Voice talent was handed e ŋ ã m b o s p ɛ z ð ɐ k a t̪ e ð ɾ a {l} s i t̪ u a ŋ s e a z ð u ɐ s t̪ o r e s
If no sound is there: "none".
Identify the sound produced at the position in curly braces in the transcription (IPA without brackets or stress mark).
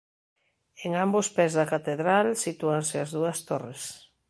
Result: l